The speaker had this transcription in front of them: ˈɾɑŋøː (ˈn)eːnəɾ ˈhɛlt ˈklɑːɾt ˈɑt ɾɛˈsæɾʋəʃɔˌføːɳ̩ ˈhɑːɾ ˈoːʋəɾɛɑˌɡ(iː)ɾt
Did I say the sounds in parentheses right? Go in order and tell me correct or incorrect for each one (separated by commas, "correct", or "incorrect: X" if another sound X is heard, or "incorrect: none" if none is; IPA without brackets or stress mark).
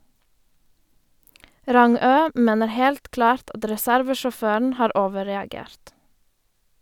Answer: incorrect: m, incorrect: eː